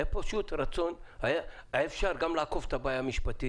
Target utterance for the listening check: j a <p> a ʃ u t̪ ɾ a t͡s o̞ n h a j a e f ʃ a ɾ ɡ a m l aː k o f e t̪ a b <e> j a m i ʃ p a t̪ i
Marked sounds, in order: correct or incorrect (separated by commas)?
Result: correct, incorrect